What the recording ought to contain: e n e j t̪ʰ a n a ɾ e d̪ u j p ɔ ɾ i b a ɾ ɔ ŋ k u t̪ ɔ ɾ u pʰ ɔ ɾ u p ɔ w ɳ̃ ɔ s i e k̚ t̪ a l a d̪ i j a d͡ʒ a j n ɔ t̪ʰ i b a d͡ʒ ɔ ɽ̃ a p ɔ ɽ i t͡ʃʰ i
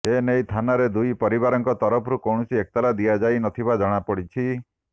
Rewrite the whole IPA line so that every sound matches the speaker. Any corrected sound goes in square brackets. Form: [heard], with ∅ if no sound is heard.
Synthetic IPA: e n e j t̪ʰ a n a ɾ e d̪ u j p ɔ ɾ i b a ɾ ɔ ŋ k [ɔ] t̪ ɔ ɾ [ɔ] pʰ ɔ ɾ u [k] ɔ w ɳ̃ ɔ s i e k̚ t̪ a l a d̪ i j a d͡ʒ a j n ɔ t̪ʰ i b a d͡ʒ ɔ ɽ̃ a p ɔ ɽ i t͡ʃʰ i